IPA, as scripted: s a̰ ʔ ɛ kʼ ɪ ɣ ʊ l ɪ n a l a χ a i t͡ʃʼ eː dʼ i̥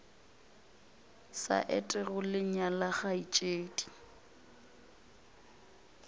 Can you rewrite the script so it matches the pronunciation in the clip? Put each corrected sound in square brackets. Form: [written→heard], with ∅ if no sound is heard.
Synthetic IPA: s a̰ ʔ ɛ [kʼ→tʼ] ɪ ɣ ʊ l ɪ [n→ɲ] a l a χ a i t͡ʃʼ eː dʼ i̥